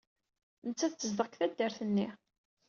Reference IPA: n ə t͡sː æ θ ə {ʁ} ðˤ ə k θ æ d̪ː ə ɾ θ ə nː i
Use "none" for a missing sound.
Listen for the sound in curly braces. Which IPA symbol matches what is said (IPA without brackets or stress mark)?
z